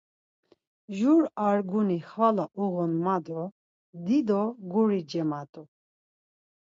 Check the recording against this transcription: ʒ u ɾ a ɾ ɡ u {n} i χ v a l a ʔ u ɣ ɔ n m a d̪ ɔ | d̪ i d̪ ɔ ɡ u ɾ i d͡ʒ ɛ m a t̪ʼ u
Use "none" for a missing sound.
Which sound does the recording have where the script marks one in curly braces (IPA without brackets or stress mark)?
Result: n